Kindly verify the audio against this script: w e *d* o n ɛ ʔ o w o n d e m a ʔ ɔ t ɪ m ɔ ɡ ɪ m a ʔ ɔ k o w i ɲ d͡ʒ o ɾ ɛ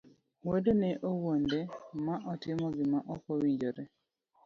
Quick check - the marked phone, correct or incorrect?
correct